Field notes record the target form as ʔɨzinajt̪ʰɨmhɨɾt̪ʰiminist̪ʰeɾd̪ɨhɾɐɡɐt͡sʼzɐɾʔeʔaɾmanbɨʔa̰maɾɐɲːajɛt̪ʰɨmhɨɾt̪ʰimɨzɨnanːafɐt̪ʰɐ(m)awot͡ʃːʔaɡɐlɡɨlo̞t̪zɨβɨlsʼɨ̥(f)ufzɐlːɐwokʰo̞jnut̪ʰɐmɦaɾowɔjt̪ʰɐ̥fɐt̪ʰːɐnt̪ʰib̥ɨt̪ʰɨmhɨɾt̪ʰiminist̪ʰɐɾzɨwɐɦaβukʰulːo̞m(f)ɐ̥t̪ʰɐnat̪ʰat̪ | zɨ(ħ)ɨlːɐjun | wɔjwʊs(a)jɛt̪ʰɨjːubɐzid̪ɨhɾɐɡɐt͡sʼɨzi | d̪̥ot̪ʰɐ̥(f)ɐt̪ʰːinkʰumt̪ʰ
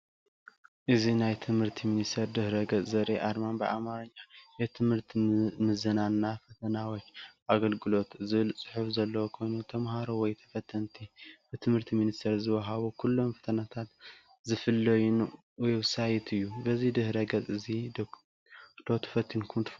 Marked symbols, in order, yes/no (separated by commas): no, no, yes, no, yes, yes